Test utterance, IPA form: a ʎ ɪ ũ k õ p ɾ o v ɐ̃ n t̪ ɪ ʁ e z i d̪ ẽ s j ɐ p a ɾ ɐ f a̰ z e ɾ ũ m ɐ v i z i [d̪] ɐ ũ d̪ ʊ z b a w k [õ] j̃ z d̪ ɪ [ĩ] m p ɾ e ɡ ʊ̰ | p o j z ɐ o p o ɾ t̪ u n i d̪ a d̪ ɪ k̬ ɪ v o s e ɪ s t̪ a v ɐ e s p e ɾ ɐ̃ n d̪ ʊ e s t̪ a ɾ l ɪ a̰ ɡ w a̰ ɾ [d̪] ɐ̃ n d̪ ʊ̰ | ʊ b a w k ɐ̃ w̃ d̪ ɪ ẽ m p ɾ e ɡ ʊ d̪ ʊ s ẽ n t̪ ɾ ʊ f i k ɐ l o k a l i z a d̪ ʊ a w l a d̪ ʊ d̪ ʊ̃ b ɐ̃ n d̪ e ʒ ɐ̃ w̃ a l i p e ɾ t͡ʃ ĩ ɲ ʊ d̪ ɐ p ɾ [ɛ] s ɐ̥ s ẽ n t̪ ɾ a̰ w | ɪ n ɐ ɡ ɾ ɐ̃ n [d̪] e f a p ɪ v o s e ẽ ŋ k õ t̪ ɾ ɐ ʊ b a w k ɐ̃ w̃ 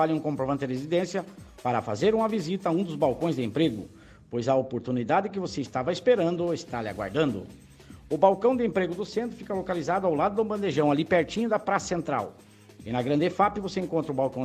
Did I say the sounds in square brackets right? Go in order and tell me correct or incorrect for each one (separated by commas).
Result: incorrect, correct, incorrect, correct, incorrect, correct